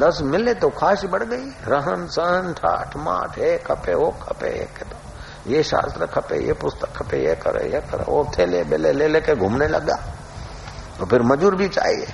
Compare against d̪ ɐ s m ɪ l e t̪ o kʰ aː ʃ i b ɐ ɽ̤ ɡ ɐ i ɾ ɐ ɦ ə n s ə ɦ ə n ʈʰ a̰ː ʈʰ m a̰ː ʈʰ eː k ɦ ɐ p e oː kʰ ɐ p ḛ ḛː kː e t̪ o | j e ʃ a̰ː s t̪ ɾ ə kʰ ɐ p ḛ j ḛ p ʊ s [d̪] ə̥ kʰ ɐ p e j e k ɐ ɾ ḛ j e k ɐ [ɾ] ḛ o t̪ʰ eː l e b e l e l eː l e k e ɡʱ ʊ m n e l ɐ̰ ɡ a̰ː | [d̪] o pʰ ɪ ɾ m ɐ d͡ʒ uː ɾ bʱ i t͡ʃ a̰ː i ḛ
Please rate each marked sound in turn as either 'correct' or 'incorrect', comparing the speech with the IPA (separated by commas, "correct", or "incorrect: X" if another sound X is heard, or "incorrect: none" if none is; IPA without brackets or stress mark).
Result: incorrect: t̪, correct, incorrect: t̪